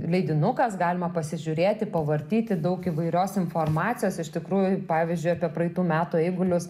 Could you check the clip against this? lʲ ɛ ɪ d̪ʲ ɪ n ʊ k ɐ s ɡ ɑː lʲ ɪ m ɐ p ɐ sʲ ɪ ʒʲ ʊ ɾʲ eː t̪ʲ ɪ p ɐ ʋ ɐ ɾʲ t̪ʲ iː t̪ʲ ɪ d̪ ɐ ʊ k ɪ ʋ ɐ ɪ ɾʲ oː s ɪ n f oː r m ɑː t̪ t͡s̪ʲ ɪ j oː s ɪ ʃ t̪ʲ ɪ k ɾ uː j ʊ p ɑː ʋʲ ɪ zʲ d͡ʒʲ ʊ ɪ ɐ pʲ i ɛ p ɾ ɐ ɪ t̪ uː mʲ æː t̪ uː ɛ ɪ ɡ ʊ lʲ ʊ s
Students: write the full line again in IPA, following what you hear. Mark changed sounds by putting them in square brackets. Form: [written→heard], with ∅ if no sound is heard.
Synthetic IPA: lʲ ɛ ɪ d̪ʲ ɪ n ʊ k ɐ s ɡ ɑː lʲ ɪ m ɐ p ɐ sʲ ɪ ʒʲ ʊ ɾʲ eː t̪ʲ ɪ p ɐ ʋ ɐ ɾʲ t̪ʲ iː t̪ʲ ɪ d̪ ɐ ʊ k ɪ ʋ ɐ ɪ ɾʲ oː s ɪ n f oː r m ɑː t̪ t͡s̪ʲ ɪ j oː s ɪ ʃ t̪ʲ ɪ k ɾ uː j ʊ p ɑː ʋʲ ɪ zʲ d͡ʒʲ ʊ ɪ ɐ pʲ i ɛ p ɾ ɐ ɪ t̪ uː mʲ æː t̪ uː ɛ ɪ ɡ ʊ lʲ ʊ s